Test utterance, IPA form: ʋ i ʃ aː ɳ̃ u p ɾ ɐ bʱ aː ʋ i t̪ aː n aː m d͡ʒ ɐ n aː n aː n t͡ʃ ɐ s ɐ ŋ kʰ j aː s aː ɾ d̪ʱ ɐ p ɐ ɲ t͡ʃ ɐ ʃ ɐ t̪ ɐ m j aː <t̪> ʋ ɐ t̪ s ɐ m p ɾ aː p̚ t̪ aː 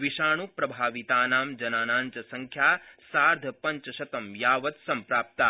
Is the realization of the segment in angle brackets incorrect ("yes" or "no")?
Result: yes